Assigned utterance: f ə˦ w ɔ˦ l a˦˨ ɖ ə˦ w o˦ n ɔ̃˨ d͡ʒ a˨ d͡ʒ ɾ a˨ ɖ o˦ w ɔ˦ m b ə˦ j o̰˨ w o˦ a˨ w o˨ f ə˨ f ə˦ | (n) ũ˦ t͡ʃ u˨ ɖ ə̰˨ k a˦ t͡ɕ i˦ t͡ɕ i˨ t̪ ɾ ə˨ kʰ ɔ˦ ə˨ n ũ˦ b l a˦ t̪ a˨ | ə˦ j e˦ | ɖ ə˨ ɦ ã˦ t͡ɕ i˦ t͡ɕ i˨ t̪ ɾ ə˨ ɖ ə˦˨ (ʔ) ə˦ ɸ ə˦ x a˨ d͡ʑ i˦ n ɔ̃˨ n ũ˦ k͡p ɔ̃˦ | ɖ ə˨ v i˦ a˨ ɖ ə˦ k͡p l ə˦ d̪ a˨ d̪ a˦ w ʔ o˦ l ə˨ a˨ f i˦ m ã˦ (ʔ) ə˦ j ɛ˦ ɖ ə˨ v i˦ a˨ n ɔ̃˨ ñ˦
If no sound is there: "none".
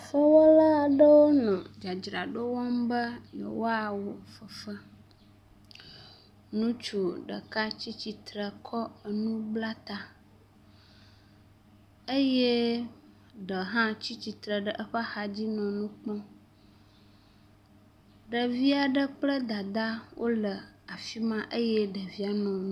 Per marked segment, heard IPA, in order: n, ʔ, ʔ

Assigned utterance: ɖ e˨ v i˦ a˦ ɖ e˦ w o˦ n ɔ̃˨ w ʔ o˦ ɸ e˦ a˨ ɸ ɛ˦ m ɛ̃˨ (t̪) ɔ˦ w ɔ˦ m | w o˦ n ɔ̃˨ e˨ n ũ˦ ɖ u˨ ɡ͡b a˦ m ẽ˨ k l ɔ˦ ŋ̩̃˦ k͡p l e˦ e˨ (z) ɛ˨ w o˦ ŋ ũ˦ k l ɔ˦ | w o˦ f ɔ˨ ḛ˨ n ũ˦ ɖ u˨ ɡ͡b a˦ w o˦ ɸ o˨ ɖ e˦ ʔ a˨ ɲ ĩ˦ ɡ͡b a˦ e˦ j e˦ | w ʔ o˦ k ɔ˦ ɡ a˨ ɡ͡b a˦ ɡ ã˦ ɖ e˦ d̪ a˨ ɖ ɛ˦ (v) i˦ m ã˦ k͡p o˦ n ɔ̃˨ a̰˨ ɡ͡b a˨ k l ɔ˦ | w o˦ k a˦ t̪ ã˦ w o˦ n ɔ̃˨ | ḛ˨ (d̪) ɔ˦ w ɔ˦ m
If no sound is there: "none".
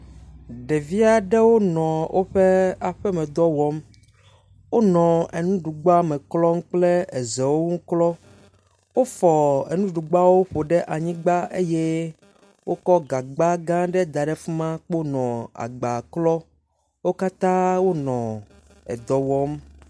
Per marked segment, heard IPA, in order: d̪, z, f, d̪

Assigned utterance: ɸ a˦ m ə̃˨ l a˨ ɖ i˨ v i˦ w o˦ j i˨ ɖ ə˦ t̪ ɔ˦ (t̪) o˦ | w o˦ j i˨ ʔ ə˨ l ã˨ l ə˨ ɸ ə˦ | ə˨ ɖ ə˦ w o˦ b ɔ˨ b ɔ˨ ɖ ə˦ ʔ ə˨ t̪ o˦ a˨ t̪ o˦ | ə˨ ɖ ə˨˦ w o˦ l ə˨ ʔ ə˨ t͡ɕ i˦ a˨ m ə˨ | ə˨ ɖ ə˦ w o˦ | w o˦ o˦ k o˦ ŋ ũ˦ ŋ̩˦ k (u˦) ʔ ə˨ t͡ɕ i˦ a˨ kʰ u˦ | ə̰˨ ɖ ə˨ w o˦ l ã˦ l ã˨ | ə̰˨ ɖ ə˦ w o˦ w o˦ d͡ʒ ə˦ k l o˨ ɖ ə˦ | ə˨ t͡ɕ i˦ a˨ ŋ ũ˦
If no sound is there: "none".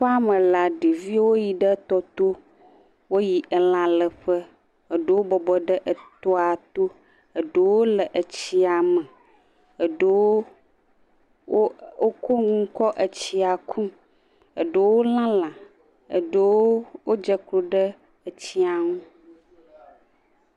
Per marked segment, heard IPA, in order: t̪, ɔ˦

